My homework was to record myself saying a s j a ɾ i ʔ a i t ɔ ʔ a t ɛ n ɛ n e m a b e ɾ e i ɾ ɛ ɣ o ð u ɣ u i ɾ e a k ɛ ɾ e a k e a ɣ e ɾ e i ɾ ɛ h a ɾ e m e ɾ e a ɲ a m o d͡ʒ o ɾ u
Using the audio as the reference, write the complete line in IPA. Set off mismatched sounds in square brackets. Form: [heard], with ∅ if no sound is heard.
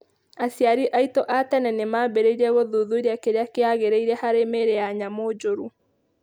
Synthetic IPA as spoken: a s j a ɾ i ʔ a i t ɔ ʔ a t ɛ n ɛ n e m a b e ɾ e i ɾ ɛ ɣ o ð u [ð] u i ɾ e a k [e] ɾ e a k e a ɣ e ɾ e i ɾ ɛ h a ɾ e m e ɾ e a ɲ a m o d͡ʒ o ɾ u